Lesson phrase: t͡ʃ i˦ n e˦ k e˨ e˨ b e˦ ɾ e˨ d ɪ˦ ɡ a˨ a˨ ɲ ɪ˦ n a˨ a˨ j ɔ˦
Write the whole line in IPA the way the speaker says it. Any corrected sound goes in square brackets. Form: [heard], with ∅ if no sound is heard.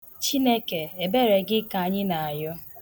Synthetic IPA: t͡ʃ i˦ n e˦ k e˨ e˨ b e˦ ɾ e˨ [ɡ] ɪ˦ [k] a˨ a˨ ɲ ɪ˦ n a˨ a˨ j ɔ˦

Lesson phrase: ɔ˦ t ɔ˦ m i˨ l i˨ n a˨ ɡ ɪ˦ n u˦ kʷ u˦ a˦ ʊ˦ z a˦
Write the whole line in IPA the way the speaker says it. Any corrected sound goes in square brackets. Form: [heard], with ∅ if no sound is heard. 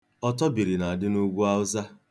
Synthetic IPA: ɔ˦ t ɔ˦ [b] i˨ [ɾ] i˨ n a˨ [d] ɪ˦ n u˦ [ɡʷ] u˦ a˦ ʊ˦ z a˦

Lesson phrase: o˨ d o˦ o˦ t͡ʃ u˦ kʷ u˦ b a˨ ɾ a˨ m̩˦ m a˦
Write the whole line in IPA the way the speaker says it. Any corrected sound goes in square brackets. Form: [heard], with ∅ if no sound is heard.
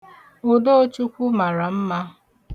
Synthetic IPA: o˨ d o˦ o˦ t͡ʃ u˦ kʷ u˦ [m] a˨ ɾ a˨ m̩˦ m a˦

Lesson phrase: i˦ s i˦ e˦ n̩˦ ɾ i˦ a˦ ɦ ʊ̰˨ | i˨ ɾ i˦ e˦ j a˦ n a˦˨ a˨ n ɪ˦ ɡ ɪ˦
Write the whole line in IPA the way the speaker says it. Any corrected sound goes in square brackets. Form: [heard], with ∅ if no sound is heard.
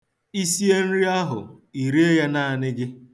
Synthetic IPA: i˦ s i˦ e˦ n̩˦ ɾ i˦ a˦ ɦ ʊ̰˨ | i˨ ɾ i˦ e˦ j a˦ n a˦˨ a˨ n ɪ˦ ɡ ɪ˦

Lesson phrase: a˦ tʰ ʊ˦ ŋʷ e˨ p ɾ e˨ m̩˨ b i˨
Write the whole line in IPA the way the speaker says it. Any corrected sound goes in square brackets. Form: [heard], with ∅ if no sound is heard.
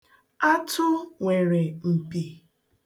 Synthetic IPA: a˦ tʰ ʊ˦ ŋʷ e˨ [∅] ɾ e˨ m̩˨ [p] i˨

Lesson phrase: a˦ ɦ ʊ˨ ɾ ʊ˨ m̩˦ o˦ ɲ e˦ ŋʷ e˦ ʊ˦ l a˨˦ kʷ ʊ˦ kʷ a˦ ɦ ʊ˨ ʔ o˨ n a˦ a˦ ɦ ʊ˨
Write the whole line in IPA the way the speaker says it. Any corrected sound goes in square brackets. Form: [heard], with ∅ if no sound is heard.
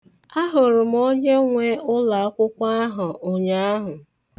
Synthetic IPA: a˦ ɦ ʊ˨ ɾ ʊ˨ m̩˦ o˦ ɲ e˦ ŋʷ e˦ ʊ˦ l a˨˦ kʷ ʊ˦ kʷ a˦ ɦ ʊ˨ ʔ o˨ [ɲ] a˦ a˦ ɦ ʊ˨

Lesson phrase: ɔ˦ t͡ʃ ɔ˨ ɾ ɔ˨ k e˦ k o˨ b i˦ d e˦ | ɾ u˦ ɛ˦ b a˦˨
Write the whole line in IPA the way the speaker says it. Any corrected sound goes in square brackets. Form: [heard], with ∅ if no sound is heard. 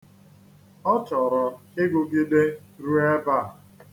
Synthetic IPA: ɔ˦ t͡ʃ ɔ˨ ɾ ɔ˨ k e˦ [ɡ] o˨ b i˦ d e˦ | ɾ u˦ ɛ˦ b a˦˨

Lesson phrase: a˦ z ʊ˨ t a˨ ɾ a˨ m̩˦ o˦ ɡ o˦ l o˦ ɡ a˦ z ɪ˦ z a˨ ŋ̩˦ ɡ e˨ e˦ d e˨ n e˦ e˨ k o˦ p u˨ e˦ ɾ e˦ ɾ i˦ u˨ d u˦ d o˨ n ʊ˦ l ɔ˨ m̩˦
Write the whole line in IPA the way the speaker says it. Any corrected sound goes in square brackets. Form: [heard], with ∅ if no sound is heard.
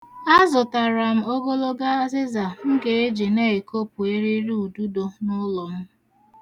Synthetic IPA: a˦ z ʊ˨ t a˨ ɾ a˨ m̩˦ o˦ ɡ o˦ l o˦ ɡ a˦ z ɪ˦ z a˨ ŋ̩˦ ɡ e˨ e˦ [d͡ʒ] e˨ n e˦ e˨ k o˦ p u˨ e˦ ɾ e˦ ɾ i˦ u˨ d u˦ d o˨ n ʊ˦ l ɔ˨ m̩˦

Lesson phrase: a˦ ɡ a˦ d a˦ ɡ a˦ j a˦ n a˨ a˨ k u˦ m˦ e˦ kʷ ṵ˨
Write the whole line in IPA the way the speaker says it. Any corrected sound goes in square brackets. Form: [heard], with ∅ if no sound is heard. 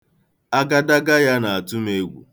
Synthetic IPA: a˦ ɡ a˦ d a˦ ɡ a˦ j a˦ n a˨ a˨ [t] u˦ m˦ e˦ [ɡʷ] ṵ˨

